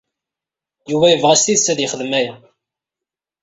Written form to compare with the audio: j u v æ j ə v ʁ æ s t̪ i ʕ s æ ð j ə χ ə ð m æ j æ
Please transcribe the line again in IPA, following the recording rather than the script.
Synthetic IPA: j u v æ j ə v ʁ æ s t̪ i ð s æ ð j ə χ ə ð m æ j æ

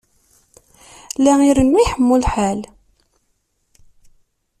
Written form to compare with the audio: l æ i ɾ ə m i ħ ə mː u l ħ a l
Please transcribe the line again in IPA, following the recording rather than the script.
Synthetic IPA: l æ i ɾ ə n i ħ ə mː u l ħ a l

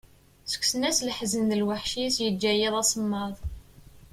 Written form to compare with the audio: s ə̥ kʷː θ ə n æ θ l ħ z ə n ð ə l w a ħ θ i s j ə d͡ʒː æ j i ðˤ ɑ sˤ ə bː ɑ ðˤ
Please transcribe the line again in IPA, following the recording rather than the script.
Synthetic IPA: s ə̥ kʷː s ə n æ s l ħ z ə n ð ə l w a ħ ʃ i s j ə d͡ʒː æ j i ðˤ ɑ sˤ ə mː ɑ ðˤ

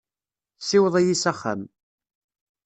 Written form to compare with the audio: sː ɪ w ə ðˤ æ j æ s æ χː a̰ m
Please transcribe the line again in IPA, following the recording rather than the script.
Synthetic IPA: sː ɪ w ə ðˤ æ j i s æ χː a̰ m

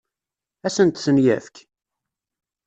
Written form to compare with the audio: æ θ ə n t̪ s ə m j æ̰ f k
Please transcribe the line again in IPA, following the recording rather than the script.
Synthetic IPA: æ s ə n t̪ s ə n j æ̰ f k

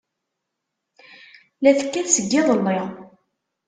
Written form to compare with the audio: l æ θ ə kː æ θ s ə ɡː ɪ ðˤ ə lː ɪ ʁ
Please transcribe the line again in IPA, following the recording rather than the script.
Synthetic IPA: l æ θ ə kː æ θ s ə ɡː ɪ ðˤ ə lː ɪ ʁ

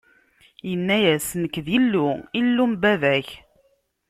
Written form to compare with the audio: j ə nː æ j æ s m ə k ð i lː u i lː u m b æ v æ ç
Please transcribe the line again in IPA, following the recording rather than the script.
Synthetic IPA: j ə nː æ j æ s n ə k ð i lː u i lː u m b æ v æ ç

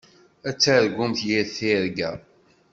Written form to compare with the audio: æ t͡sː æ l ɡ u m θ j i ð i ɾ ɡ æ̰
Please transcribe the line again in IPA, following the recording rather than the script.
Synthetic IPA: æ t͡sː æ ɾ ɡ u m θ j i θ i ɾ ɡ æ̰

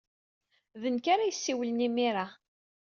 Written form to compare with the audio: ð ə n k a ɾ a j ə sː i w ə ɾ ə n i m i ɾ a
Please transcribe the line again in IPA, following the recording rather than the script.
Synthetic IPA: ð ə n k a ɾ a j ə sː i w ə l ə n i m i ɾ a

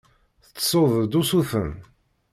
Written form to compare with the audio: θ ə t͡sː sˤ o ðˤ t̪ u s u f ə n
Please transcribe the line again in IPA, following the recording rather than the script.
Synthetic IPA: θ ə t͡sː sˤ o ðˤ d̪ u s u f ə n

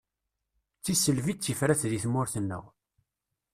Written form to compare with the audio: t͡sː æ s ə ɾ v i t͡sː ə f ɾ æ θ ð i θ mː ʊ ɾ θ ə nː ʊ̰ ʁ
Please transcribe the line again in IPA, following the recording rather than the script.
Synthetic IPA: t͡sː i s ə l v i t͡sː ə f ɾ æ θ ð i θ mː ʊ ɾ θ ə nː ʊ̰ ʁ

